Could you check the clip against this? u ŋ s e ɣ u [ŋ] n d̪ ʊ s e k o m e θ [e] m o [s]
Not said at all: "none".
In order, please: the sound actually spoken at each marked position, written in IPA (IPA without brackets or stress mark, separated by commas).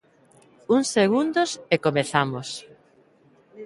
none, a, s